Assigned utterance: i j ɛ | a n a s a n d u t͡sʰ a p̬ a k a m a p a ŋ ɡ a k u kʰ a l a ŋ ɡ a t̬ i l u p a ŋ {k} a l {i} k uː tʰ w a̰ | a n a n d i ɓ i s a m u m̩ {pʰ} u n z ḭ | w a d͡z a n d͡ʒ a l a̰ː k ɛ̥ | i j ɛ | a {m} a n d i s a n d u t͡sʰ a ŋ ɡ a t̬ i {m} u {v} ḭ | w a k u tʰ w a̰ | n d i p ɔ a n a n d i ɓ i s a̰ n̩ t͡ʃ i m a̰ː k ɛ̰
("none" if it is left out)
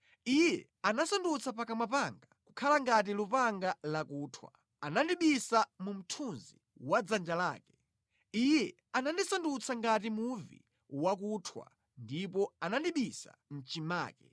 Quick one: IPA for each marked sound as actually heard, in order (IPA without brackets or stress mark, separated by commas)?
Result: ɡ, a, tʰ, n, m, v